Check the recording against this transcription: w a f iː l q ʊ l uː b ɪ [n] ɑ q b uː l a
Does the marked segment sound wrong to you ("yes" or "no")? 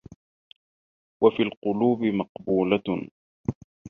yes